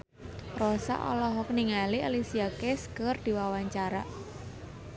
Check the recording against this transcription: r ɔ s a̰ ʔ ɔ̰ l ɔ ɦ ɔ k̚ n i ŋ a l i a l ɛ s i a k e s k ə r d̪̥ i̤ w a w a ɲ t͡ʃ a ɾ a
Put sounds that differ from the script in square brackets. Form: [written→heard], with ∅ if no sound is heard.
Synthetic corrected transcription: r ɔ s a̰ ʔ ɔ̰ l ɔ ɦ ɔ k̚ n i ŋ a l i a l [ɛ→i] s i a k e s k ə r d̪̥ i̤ w a w a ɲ t͡ʃ a ɾ a